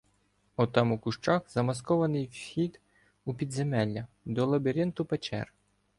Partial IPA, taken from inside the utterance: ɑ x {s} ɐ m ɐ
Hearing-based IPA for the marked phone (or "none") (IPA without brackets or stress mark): z